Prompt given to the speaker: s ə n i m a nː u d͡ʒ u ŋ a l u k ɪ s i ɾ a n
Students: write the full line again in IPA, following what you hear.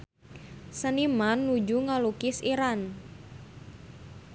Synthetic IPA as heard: s ə n i m a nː u d͡ʒ u ŋ a l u k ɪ s i ɾ a n